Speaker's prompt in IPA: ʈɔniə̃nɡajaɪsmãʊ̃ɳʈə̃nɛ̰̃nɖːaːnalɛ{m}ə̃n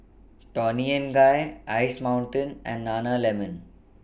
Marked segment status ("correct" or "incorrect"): correct